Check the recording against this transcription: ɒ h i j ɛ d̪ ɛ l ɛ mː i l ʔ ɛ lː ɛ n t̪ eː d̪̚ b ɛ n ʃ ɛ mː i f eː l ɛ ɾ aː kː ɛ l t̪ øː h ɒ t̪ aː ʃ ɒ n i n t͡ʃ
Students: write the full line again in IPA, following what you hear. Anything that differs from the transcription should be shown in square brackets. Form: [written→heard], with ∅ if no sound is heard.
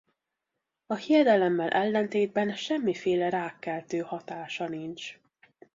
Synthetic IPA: ɒ h i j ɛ d̪ ɛ l ɛ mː [i→ɛ] l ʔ ɛ lː ɛ n t̪ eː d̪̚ b ɛ n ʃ ɛ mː i f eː l ɛ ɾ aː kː ɛ l t̪ øː h ɒ t̪ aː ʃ ɒ n i n t͡ʃ

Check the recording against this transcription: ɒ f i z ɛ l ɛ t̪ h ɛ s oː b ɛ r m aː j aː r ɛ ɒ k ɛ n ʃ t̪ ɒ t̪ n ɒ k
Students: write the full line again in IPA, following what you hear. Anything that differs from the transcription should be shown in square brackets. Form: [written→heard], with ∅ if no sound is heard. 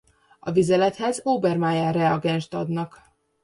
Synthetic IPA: ɒ [f→v] i z ɛ l ɛ t̪ h ɛ [s→z] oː b ɛ r m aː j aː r ɛ ɒ [k→ɡ] ɛ n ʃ t̪ ɒ [t̪→d̪] n ɒ k

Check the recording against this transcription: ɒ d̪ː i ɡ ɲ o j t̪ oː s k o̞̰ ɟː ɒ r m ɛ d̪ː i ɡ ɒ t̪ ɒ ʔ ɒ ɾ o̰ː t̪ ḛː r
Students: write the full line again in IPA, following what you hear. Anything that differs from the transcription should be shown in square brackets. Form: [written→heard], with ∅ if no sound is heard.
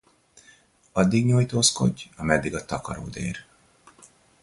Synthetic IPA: ɒ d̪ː i ɡ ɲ o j t̪ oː s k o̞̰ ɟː ɒ [r→∅] m ɛ d̪ː i ɡ ɒ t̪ ɒ [ʔ→k] ɒ ɾ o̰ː [t̪→d̪] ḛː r

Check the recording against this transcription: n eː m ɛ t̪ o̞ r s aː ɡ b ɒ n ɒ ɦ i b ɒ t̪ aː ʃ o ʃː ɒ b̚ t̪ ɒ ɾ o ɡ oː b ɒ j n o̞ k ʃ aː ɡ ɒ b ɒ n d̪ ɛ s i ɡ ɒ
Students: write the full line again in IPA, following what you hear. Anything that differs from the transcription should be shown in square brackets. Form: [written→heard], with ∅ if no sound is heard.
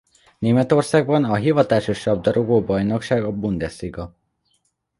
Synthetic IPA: n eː m ɛ t̪ o̞ r s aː ɡ b ɒ n ɒ ɦ i [b→v] ɒ t̪ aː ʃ o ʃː ɒ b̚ [t̪→d̪] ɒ ɾ o ɡ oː b ɒ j n o̞ k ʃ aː ɡ ɒ b [ɒ→u] n d̪ ɛ s i ɡ ɒ

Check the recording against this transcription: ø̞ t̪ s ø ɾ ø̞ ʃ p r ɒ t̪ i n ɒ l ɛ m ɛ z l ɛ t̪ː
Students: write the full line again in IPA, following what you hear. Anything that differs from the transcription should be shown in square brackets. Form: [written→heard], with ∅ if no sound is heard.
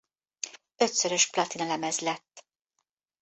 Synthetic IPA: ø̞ t̪ s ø ɾ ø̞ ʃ p [r→l] ɒ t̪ i n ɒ l ɛ m ɛ z l ɛ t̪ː

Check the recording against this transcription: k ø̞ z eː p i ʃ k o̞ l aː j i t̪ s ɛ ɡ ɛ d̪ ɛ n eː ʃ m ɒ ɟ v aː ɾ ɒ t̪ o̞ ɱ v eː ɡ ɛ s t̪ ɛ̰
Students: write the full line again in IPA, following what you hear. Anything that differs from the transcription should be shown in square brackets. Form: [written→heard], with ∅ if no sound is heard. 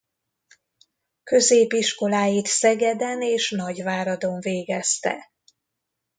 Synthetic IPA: k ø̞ z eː p i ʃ k o̞ l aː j i t̪ s ɛ ɡ ɛ d̪ ɛ n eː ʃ [m→n] ɒ ɟ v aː ɾ ɒ [t̪→d̪] o̞ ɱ v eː ɡ ɛ s t̪ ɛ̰

